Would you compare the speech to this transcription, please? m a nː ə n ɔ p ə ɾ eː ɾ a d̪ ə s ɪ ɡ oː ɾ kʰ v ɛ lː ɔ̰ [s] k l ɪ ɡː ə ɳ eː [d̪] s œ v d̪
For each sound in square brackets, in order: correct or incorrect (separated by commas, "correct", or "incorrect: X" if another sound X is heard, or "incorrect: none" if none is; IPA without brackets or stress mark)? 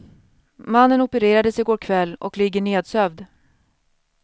incorrect: none, correct